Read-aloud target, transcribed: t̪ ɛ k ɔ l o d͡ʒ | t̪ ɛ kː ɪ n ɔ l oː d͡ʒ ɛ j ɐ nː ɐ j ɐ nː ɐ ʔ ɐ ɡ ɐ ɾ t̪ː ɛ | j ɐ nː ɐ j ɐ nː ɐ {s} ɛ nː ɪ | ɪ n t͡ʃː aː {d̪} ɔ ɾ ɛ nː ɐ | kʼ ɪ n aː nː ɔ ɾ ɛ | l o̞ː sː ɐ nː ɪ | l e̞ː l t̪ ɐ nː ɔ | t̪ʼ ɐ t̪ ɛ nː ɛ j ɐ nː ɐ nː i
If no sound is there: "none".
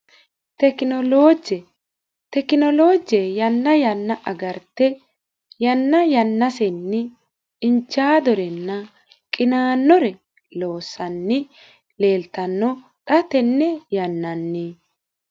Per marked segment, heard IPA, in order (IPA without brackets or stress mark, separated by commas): s, d̪